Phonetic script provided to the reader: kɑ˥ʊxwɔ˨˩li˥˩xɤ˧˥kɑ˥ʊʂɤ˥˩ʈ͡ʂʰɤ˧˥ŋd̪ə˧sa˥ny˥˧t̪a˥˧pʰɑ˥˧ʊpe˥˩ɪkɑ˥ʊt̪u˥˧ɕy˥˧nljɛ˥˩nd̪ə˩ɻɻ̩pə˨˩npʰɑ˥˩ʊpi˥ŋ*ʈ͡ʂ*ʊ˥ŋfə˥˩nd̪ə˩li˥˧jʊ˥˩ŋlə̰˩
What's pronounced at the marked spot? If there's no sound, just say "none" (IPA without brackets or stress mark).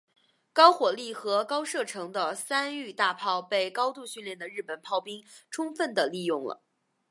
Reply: ʈ͡ʂʰ